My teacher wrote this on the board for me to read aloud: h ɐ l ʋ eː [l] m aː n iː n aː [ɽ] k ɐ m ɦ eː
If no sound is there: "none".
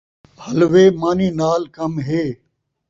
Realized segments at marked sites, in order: none, l

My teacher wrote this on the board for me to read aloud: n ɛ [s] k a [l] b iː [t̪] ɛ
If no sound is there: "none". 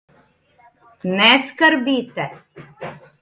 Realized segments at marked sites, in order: s, ɾ, t̪

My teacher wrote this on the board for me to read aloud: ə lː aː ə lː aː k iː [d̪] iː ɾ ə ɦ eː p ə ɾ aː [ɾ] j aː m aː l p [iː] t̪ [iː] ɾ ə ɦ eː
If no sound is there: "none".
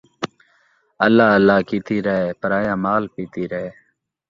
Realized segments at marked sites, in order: t̪, none, iː, iː

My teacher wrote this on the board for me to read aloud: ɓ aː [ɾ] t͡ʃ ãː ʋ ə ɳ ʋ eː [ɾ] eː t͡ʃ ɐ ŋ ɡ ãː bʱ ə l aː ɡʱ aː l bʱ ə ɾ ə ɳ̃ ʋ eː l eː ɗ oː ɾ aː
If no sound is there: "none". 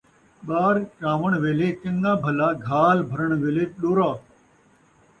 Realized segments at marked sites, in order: ɾ, l

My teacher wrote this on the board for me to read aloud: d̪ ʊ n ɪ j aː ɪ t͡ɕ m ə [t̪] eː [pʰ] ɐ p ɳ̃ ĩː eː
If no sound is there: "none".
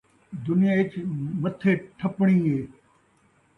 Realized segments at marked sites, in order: t̪ʰ, ʈʰ

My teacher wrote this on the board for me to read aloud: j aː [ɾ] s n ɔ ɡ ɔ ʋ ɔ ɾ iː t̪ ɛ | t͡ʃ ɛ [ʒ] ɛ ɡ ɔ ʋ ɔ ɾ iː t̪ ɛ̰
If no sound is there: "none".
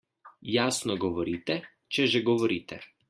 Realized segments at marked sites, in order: none, ʒ

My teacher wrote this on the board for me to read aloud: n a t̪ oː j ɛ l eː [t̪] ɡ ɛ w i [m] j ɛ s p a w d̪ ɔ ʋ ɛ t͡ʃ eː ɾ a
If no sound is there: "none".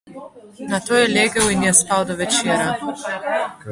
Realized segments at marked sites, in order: none, n

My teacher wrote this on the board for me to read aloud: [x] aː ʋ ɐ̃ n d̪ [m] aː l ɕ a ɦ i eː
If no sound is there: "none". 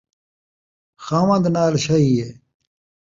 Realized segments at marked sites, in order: x, n

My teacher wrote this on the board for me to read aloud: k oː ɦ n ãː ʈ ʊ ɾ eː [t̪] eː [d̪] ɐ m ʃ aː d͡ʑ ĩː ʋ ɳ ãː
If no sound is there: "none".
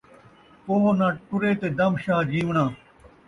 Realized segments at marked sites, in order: t̪, d̪

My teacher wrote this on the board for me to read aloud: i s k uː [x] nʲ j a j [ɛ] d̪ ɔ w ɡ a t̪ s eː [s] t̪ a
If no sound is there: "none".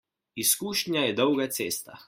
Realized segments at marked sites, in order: ʃ, ɛ, s

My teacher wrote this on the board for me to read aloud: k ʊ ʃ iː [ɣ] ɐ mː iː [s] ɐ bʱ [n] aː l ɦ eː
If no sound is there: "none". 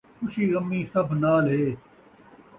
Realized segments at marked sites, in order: ɣ, s, n

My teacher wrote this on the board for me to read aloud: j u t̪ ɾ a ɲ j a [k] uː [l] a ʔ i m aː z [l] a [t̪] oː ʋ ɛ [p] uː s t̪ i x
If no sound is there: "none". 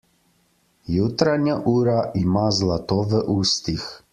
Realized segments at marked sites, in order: ʔ, ɾ, l, t̪, ʔ

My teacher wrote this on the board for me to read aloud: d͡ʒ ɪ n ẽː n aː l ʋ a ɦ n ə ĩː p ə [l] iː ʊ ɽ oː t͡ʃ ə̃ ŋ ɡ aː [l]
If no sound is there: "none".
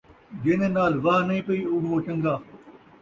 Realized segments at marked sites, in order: none, none

